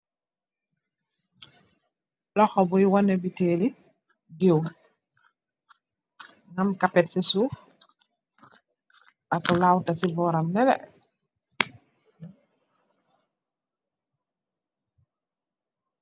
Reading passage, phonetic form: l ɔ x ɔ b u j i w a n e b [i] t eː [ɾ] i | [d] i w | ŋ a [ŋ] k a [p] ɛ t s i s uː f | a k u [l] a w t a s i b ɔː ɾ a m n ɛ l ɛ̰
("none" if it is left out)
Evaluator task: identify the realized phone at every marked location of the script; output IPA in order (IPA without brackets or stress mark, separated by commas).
i, l, d, m, p, l